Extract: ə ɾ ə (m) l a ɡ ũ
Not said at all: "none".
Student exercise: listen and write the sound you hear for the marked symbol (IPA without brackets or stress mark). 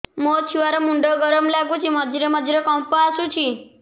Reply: m